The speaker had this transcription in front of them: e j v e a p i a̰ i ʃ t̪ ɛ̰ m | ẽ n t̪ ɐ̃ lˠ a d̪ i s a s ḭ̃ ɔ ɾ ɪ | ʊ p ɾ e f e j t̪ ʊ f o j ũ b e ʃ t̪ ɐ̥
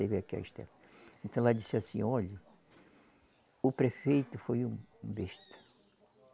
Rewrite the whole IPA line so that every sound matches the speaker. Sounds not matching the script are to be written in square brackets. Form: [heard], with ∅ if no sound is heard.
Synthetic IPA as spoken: e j v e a [k] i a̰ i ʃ t̪ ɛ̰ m | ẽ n t̪ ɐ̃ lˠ a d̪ i s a s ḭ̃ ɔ [ʎ] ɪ | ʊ p ɾ e f e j t̪ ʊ f o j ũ b e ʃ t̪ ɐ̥